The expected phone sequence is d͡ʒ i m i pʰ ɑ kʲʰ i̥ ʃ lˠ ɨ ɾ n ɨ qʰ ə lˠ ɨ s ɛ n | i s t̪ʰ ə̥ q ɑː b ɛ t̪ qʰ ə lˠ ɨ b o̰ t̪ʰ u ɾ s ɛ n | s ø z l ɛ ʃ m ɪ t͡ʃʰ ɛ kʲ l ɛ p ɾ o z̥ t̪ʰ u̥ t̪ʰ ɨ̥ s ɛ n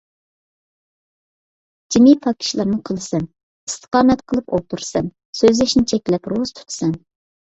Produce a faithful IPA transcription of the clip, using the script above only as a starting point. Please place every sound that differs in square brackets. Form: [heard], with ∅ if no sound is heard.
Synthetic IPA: d͡ʒ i m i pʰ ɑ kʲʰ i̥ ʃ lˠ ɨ ɾ n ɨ qʰ ə lˠ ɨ s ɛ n | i s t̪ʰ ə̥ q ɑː [m] ɛ t̪ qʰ ə lˠ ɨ [p] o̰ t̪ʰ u ɾ s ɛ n | s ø z l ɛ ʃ [n] ɪ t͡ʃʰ ɛ kʲ l ɛ p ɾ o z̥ t̪ʰ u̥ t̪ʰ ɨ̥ s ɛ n